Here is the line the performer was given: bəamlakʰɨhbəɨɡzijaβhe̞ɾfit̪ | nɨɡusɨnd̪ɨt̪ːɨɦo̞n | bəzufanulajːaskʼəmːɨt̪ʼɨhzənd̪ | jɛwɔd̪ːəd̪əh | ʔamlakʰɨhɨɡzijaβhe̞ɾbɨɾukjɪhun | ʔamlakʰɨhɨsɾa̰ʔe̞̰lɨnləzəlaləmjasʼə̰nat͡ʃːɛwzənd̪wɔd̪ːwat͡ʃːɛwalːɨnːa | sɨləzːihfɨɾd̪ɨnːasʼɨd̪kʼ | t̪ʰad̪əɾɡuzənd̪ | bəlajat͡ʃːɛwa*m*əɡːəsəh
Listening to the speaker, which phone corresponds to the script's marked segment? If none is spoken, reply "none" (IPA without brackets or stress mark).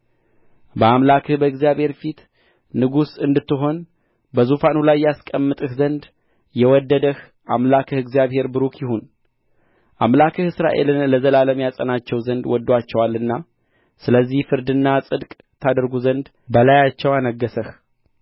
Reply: n